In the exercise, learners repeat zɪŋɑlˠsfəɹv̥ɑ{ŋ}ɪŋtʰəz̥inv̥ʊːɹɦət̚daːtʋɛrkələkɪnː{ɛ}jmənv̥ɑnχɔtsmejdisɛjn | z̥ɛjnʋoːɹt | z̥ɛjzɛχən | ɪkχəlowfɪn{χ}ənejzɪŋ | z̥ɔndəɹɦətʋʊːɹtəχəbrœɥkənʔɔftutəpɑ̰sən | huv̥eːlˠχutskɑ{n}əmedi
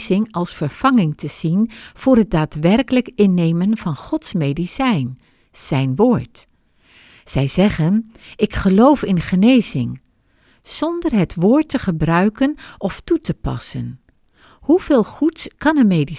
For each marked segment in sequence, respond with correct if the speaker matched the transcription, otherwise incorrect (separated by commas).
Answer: correct, incorrect, correct, correct